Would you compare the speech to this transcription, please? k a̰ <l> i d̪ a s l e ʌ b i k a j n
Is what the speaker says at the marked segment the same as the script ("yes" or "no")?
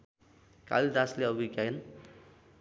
yes